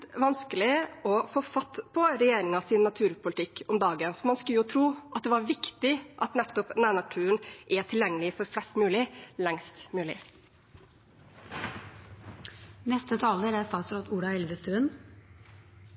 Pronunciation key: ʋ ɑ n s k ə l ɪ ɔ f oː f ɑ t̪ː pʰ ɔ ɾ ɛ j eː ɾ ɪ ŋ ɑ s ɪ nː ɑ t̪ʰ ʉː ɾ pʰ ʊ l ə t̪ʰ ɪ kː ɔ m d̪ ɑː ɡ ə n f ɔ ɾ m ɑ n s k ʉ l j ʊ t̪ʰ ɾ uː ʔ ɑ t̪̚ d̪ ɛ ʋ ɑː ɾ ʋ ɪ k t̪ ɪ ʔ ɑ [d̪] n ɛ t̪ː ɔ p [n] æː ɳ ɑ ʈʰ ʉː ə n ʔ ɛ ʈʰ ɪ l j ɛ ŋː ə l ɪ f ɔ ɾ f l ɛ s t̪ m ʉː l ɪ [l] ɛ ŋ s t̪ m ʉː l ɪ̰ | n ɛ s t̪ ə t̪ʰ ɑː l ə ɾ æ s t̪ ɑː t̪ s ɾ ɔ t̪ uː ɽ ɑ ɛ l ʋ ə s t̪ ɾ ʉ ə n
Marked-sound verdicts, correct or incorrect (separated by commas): incorrect, correct, correct